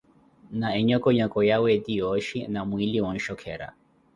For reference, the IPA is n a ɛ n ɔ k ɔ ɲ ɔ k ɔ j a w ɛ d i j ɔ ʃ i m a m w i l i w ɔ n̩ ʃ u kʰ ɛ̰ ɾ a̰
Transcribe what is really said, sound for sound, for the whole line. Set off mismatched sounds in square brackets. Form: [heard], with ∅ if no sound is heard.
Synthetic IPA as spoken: n a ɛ [ɲ] ɔ k ɔ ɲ ɔ k ɔ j a w ɛ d i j ɔ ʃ i [n] a m w i l i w ɔ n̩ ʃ [ɔ] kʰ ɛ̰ ɾ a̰

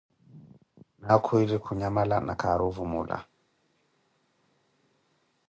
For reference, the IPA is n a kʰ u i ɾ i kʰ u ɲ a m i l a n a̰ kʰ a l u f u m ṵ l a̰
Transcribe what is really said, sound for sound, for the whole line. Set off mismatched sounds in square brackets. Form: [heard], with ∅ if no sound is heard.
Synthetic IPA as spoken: n a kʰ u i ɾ i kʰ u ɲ a m [a] l a n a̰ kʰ a [ɾ] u [v] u m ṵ l a̰

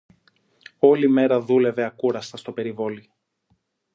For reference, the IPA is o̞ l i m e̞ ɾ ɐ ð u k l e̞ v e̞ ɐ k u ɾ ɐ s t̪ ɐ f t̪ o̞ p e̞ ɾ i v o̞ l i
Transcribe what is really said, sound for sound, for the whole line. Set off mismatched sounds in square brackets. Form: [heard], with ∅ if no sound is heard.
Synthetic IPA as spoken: o̞ l i m e̞ ɾ ɐ ð u [∅] l e̞ v e̞ ɐ k u ɾ ɐ s t̪ ɐ [s] t̪ o̞ p e̞ ɾ i v o̞ l i

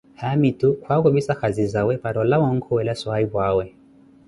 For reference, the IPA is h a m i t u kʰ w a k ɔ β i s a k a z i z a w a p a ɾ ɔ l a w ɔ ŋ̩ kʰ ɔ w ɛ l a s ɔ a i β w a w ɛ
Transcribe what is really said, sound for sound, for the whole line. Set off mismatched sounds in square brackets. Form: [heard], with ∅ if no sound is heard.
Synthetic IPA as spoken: h a m i t u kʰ w a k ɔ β i s a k a z i z a w [ɛ] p a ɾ ɔ l a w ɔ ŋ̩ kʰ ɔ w ɛ l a s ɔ a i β w a w ɛ

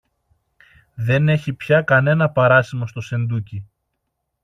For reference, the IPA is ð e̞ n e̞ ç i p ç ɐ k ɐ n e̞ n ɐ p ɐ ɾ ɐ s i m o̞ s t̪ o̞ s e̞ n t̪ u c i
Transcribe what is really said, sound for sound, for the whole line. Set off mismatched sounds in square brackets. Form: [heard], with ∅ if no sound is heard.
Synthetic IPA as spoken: ð e̞ n e̞ ç i p ç ɐ k ɐ n e̞ n ɐ p ɐ ɾ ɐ s i m o̞ s t̪ o̞ s e̞ n [d̪] u c i

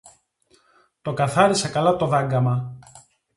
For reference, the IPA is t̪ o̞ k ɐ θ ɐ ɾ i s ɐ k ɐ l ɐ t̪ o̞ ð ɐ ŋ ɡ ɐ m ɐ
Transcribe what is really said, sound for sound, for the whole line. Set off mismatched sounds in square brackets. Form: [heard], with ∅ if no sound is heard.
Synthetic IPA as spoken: t̪ o̞ k ɐ θ ɐ ɾ i s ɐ k ɐ l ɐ t̪ o̞ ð ɐ ŋ ɡ ɐ m ɐ

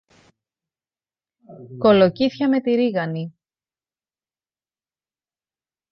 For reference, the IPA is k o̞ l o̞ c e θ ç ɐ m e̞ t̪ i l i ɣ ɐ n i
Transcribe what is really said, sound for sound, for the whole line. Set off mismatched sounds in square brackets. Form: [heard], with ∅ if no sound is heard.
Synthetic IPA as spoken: k o̞ l o̞ c [i] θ ç ɐ m e̞ t̪ i [ɾ] i ɣ ɐ n i

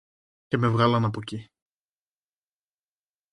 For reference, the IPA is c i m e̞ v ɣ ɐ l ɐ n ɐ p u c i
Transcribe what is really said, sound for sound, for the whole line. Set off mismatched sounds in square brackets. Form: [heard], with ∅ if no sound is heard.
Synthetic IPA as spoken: c [e] m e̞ v ɣ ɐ l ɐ n ɐ p [o] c i

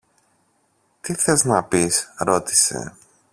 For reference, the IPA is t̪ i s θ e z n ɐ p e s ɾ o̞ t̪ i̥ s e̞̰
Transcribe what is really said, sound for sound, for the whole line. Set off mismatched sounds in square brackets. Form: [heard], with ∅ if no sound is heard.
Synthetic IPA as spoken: t̪ i [∅] θ e z n ɐ p [i] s ɾ o̞ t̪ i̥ s e̞̰

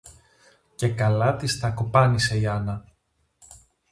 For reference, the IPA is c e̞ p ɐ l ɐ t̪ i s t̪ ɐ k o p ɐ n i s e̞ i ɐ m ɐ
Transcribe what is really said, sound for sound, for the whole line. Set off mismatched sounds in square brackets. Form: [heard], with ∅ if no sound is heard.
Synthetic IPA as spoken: c e̞ [k] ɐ l ɐ t̪ i s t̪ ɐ k o p ɐ n i s e̞ i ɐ [n] ɐ

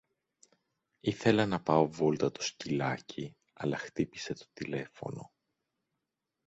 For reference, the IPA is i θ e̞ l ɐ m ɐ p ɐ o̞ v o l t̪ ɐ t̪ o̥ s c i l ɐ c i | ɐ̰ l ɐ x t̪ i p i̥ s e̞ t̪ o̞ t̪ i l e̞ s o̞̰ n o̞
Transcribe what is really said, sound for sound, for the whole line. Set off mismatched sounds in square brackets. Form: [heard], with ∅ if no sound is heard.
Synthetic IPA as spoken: i θ e̞ l ɐ [n] ɐ p ɐ o̞ v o l t̪ ɐ t̪ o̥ s c i l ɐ c i | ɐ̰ l ɐ x t̪ i p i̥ s e̞ t̪ o̞ t̪ i l e̞ [f] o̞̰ n o̞

